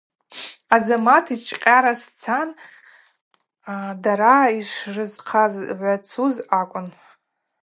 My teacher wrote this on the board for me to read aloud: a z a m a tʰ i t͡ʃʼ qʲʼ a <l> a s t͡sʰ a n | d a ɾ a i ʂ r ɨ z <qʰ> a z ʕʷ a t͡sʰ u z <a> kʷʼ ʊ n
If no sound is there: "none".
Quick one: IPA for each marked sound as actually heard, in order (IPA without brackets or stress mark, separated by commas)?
ɾ, qʰ, a